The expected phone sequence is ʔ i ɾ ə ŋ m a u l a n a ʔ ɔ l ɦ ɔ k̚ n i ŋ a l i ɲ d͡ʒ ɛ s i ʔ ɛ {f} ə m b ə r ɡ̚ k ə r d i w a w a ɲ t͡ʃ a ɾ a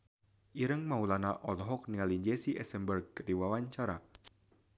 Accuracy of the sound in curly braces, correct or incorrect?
incorrect